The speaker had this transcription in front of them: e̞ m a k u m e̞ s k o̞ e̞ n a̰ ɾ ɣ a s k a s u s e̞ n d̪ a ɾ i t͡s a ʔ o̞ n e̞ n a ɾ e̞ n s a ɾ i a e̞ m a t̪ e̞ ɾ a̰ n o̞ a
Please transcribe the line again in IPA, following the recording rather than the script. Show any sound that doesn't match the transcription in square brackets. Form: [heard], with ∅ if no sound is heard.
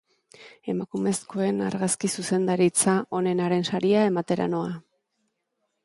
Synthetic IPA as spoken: e̞ m a k u m e̞ s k o̞ e̞ n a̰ ɾ ɣ a s k [i] s u s e̞ n d̪ a ɾ i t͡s a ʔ o̞ n e̞ n a ɾ e̞ n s a ɾ i a e̞ m a t̪ e̞ ɾ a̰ n o̞ a